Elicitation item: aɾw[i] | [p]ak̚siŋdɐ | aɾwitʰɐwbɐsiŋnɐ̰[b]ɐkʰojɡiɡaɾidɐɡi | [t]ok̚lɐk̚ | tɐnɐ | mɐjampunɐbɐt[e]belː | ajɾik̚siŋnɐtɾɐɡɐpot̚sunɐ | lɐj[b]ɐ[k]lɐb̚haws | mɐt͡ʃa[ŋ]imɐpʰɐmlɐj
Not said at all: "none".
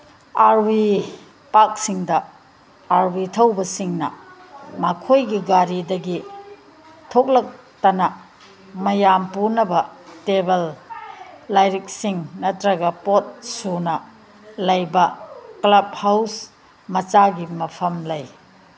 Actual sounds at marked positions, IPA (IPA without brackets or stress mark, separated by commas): i, p, m, tʰ, e, b, k, ɡ